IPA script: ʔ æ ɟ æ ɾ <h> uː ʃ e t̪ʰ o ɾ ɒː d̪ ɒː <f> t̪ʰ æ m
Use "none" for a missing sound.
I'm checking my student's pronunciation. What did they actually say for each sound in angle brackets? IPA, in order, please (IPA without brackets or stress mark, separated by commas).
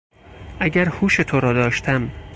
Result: h, ʃ